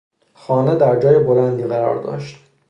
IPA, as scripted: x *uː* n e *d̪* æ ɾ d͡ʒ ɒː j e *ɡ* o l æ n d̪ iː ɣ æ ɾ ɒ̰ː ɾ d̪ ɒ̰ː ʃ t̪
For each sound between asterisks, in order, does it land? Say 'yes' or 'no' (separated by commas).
no, yes, no